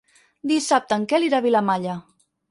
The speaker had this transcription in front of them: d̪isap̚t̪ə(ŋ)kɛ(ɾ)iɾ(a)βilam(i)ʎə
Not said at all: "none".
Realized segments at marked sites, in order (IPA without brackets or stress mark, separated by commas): ŋ, l, a, a